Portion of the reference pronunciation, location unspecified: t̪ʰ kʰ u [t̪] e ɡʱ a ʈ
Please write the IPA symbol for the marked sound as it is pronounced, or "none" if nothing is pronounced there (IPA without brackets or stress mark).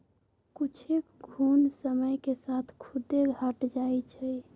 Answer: d̪